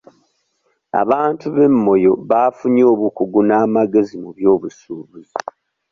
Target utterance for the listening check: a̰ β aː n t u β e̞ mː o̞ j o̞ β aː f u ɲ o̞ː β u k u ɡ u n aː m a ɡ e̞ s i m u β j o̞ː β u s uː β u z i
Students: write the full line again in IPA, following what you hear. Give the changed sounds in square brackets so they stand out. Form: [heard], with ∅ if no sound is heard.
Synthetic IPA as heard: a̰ β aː n t u β e̞ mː o̞ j o̞ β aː f u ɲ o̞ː β u k u ɡ u n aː m a ɡ e̞ [z] i m u β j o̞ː β u s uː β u z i